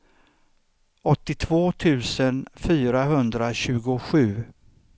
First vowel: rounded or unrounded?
rounded